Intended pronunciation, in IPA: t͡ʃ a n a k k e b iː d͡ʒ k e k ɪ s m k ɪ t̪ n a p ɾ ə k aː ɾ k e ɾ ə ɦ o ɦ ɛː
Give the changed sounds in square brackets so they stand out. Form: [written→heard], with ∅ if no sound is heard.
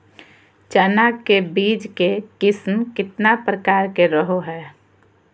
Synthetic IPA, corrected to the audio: t͡ʃ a n a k k e b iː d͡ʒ k e k ɪ s m k ɪ t̪ n a p ɾ ə k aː ɾ k e ɾ ə ɦ o ɦ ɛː